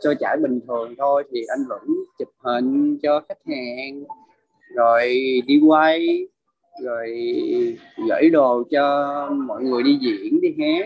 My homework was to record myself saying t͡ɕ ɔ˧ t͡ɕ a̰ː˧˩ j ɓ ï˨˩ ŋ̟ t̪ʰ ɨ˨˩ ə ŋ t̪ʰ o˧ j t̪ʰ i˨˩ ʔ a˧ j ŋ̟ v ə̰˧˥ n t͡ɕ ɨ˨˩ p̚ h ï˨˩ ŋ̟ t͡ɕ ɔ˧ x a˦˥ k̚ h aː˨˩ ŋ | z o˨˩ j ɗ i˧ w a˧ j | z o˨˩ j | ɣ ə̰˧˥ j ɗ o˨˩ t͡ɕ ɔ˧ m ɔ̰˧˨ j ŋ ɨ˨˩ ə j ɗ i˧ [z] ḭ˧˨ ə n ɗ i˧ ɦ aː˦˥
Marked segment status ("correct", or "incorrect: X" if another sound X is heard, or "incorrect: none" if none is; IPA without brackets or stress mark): correct